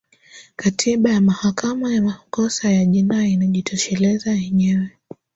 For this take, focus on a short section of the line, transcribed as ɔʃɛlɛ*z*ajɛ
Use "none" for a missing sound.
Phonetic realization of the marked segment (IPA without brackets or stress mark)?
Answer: z